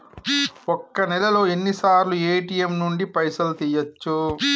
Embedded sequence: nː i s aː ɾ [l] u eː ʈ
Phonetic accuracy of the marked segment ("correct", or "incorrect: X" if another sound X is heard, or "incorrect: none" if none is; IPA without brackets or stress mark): correct